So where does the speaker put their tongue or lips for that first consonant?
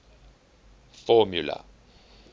lips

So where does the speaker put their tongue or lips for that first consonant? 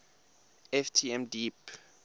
lips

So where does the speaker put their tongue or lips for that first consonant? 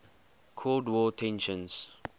velum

